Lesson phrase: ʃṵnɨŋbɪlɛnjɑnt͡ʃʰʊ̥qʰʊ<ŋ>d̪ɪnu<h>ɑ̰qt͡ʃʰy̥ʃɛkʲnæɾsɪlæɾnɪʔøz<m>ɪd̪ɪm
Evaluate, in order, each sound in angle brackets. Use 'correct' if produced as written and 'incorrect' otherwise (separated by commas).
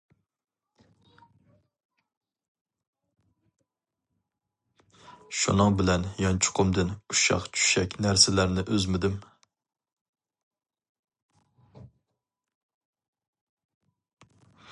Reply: incorrect, incorrect, correct